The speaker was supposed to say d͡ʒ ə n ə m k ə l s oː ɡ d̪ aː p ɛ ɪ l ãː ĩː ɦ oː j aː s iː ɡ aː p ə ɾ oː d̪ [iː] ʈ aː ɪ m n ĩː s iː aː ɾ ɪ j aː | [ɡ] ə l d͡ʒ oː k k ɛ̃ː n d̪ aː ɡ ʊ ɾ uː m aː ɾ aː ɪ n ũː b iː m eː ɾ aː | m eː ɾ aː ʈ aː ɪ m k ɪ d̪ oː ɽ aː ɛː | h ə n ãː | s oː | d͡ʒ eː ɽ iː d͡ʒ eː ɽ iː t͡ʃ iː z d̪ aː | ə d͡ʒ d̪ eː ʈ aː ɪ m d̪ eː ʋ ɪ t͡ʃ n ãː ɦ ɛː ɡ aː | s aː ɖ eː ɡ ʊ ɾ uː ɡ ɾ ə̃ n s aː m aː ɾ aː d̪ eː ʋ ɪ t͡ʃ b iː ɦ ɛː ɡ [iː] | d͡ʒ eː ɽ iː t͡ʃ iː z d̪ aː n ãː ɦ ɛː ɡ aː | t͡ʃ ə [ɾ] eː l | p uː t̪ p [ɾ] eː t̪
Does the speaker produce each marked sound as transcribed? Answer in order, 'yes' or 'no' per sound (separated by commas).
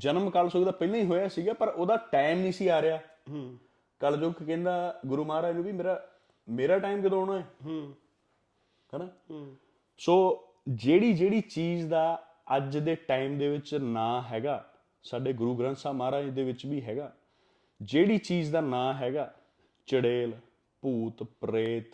no, no, no, no, yes